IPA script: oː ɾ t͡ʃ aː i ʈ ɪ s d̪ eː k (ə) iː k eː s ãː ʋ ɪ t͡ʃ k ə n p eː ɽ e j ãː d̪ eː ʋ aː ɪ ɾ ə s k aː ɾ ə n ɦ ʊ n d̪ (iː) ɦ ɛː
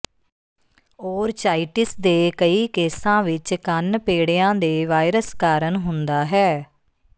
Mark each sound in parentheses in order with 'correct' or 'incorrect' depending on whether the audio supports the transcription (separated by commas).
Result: correct, incorrect